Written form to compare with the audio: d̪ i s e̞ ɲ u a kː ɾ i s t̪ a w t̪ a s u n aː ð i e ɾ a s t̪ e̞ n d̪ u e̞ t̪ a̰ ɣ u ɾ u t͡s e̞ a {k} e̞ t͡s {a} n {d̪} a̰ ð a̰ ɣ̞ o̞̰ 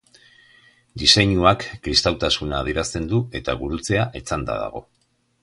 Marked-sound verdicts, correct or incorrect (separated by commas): incorrect, correct, correct